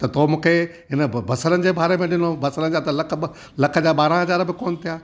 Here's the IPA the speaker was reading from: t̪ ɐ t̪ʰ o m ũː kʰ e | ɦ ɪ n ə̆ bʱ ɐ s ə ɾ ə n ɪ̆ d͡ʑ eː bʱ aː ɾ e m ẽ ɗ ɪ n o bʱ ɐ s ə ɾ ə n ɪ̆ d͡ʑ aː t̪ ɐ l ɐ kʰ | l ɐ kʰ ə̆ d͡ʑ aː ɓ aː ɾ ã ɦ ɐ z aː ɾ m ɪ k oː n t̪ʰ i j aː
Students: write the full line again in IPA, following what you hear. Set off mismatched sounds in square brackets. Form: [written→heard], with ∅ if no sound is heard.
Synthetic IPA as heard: t̪ ɐ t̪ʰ o m ũː kʰ e | ɦ ɪ n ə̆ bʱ ɐ s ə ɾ ə n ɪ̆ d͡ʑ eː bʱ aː ɾ e m ẽ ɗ ɪ n o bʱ ɐ s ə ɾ ə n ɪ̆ d͡ʑ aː t̪ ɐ l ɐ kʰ | l ɐ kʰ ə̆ d͡ʑ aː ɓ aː ɾ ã ɦ ɐ z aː ɾ [m→b] ɪ k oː n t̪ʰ i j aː